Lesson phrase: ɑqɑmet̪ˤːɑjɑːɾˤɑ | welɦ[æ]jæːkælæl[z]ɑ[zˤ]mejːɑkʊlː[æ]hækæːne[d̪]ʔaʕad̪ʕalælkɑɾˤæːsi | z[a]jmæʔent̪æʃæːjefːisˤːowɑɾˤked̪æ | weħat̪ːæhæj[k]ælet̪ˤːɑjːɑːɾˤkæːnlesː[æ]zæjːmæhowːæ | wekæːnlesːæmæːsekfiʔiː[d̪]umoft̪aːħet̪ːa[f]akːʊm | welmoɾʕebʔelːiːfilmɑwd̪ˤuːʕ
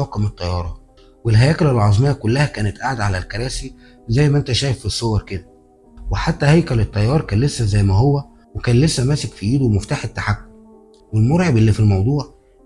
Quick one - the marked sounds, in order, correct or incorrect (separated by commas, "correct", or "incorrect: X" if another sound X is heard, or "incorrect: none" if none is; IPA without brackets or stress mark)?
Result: correct, incorrect: ʕ, correct, correct, incorrect: t̪, incorrect: æ, correct, correct, correct, incorrect: ħ